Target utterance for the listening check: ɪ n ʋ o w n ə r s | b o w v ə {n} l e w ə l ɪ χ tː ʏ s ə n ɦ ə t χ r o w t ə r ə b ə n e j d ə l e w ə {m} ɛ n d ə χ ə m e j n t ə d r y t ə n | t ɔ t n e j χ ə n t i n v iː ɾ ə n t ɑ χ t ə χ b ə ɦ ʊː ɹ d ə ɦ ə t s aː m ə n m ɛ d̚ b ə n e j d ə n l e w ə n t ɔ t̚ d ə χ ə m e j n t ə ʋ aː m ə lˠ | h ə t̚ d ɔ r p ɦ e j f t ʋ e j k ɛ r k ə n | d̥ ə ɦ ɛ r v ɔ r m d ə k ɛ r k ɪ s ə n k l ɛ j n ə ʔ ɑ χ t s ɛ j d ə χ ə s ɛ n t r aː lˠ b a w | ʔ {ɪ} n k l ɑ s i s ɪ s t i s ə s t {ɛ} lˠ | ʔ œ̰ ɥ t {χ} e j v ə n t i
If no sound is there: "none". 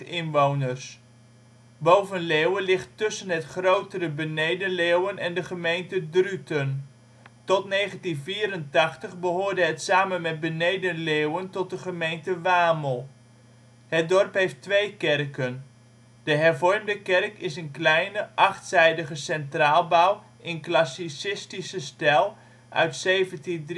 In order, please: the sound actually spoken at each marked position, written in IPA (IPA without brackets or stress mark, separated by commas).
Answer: n, n, ɪ, ɛ, s